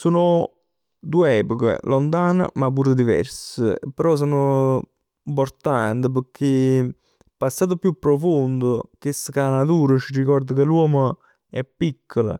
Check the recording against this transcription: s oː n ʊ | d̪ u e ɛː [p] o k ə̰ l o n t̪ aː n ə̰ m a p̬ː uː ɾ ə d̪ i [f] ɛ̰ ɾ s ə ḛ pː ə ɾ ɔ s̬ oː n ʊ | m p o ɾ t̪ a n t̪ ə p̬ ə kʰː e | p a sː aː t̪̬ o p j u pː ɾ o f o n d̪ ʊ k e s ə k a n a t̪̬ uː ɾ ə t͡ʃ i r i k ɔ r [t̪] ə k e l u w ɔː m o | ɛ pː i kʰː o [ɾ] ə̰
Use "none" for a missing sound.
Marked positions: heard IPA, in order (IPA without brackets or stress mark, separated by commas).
p, v, d̪, l